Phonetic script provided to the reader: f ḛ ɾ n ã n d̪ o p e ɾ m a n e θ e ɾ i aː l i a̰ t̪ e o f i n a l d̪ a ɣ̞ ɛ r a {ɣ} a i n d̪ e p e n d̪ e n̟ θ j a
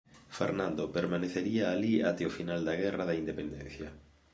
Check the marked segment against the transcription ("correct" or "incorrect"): incorrect